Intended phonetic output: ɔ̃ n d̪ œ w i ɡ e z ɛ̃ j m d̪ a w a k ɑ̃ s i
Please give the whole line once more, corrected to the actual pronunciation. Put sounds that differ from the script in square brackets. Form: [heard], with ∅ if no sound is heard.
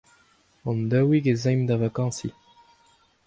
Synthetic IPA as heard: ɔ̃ n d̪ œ w i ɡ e z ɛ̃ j m d̪ a [v] a k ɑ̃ s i